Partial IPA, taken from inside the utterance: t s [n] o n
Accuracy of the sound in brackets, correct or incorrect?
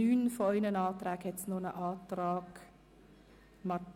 correct